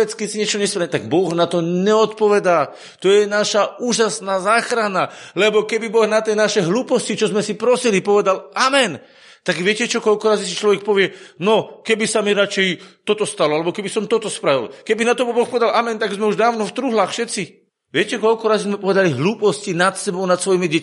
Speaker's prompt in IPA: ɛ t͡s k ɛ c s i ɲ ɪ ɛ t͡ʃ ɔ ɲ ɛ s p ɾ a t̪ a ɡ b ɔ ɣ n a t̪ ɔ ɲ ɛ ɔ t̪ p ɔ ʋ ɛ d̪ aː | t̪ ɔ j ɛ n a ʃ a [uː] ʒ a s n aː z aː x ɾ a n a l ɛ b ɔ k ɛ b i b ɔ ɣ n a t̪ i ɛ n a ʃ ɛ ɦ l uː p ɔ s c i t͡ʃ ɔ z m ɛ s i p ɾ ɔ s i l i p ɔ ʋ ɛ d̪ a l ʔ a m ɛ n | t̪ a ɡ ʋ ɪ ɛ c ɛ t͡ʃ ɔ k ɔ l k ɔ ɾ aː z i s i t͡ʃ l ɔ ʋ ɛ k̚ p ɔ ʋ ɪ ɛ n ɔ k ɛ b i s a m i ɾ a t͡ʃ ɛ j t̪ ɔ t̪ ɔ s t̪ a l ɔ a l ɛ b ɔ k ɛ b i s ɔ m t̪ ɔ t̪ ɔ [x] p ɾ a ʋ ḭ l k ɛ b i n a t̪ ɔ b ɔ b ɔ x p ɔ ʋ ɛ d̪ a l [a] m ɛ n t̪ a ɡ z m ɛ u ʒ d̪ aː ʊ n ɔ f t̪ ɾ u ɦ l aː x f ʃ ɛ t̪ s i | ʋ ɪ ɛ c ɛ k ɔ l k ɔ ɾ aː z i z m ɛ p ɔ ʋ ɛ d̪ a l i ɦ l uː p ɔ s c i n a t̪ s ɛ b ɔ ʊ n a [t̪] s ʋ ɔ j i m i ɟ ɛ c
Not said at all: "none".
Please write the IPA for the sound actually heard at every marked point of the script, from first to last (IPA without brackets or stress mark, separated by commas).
uː, s, a, t̪